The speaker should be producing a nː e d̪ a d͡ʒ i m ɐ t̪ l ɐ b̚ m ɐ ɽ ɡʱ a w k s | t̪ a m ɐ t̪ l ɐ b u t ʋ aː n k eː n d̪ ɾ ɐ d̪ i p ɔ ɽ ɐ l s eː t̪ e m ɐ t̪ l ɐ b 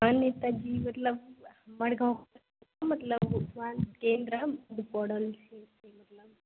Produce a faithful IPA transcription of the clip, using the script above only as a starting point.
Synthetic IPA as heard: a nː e t̪ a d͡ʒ i m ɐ t̪ l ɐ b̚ m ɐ ɽ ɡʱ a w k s | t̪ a m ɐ t̪ l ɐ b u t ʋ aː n k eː n d̪ ɾ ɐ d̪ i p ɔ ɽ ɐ l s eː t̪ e m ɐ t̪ l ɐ b